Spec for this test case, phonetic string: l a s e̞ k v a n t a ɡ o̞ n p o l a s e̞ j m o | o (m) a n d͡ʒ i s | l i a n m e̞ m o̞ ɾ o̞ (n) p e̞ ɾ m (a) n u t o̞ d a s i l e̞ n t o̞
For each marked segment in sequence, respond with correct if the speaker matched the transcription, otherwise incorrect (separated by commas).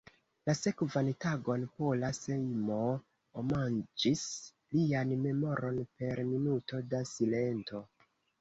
correct, correct, incorrect